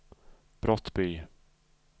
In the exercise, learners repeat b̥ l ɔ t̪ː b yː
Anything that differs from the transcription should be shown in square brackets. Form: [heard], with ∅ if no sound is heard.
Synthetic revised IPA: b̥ [ɾ] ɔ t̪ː b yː